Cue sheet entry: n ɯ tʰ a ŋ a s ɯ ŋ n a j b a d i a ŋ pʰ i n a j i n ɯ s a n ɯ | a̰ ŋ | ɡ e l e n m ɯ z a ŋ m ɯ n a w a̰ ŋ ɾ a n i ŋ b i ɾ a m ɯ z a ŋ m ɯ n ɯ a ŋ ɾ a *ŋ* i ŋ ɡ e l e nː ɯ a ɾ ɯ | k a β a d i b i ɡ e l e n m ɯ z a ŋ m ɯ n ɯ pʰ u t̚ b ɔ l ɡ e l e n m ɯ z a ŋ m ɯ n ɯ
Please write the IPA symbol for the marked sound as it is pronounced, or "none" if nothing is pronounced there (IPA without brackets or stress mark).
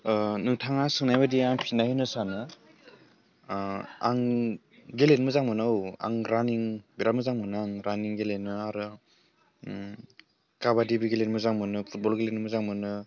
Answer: n